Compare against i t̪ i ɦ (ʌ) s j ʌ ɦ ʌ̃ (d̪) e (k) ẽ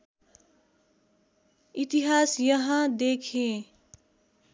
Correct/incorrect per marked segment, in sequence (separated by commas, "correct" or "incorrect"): incorrect, correct, incorrect